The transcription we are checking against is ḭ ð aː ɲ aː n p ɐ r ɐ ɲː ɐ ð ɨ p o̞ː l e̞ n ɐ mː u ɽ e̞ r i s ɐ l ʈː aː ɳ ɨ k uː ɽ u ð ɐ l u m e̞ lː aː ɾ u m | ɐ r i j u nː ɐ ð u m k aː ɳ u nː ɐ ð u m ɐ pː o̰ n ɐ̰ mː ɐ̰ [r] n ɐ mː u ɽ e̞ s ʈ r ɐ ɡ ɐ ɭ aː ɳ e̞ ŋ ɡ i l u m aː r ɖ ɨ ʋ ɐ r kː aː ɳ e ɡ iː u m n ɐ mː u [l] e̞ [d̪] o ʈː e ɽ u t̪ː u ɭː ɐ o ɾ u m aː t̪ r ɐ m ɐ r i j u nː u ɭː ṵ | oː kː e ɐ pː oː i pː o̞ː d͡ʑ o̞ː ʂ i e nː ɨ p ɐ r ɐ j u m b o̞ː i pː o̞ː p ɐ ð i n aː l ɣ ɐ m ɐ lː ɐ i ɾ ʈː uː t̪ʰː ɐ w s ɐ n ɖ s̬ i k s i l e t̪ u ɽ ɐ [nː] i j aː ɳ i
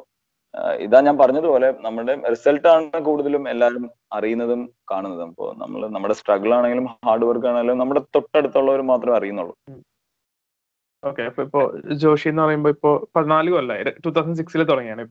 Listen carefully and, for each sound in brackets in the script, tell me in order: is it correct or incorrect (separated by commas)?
incorrect, incorrect, incorrect, incorrect